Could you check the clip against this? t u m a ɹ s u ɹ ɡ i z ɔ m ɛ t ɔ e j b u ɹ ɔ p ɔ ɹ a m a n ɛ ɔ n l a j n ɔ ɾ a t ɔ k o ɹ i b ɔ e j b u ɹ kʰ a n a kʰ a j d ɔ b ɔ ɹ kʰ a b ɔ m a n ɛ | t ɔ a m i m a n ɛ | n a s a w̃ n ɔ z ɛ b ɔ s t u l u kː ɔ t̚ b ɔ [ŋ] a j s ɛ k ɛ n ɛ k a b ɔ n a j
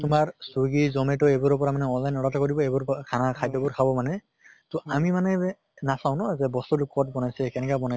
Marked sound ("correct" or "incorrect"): incorrect